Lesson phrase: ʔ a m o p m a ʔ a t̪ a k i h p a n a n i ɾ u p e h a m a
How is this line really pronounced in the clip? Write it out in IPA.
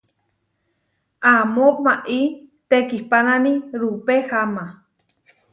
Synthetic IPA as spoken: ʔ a m o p m a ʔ i t̪ e k i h p a n a n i ɾ u p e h a m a